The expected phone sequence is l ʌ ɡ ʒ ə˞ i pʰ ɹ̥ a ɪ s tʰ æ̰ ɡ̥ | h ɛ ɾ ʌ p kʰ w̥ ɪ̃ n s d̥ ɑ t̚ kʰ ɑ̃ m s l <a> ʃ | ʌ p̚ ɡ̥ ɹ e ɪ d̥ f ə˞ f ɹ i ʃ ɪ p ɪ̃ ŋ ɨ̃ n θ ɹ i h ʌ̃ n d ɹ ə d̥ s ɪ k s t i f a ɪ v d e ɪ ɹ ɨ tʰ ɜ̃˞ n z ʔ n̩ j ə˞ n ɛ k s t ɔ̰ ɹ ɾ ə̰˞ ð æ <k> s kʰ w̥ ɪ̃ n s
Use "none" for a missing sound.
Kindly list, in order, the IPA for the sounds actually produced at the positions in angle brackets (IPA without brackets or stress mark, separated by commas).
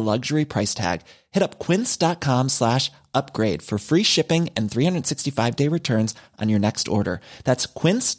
æ, t